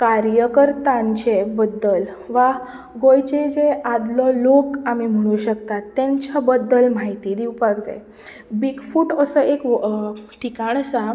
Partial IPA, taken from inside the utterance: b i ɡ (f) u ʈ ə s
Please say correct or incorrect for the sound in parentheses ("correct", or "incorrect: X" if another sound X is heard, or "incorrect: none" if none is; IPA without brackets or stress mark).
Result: correct